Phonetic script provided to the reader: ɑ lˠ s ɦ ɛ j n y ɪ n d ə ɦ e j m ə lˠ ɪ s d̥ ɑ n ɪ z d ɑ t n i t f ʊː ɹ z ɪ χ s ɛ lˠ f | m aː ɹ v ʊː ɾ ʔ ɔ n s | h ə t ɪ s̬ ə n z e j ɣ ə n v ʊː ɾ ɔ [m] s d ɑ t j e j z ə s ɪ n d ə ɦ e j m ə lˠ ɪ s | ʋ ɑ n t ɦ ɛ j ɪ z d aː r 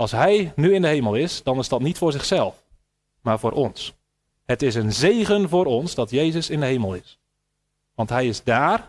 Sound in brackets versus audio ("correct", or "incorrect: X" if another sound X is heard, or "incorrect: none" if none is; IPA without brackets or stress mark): incorrect: n